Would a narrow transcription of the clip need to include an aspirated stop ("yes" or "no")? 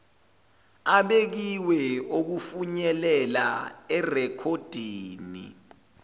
yes